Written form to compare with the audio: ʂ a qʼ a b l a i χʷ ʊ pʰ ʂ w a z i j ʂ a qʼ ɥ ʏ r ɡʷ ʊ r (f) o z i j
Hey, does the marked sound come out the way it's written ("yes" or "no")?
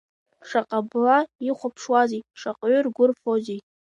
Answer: yes